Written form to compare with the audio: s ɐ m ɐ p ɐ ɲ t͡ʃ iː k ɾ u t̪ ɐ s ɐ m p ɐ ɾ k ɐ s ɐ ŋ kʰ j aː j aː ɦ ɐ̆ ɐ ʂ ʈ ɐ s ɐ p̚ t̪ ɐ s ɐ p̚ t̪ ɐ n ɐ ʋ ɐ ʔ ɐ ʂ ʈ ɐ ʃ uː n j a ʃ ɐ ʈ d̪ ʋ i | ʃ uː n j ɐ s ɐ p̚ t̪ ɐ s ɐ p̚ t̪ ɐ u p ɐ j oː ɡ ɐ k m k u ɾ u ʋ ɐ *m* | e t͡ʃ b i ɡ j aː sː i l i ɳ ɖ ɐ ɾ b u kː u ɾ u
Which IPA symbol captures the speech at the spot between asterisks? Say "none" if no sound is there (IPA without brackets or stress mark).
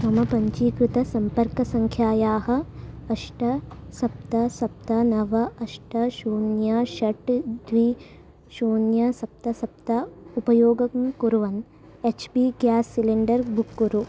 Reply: n